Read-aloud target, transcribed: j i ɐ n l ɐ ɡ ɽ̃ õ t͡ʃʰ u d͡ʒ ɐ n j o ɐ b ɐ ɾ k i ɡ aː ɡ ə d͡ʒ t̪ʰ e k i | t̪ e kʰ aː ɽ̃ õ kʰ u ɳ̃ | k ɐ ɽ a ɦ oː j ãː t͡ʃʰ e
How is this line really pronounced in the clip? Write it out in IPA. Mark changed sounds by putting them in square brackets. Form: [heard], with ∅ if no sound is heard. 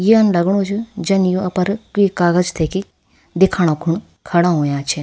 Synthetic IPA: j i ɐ n l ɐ ɡ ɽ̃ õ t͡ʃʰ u d͡ʒ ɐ n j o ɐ [p] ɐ ɾ k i [k] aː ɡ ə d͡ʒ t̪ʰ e k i | [d̪] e kʰ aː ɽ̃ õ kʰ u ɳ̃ | [kʰ] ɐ ɽ a ɦ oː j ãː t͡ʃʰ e